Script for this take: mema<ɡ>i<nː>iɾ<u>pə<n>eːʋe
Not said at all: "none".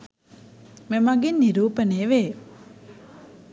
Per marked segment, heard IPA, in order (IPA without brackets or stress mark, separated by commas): ɡ, nː, uː, n